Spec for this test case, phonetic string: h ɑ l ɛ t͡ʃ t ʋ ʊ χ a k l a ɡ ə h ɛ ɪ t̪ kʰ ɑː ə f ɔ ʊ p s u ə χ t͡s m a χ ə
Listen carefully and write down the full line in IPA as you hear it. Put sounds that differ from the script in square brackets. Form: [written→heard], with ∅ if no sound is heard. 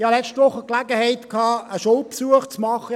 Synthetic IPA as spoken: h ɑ l ɛ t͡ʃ t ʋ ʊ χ [a→ə] k l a ɡ ə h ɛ ɪ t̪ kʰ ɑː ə [f→ʃ] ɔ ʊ p s u ə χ t͡s m [a→ɑ] χ ə